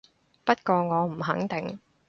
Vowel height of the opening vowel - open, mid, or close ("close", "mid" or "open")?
open